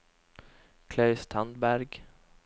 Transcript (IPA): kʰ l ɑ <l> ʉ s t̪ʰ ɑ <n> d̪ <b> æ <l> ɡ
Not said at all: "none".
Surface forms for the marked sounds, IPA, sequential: none, n, b, ɾ

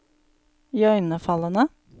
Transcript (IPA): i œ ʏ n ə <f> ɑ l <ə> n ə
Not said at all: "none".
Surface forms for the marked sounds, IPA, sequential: f, ə

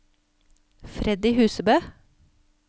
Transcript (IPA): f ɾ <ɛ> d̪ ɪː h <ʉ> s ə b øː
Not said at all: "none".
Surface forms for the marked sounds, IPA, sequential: ɛ, ʉː

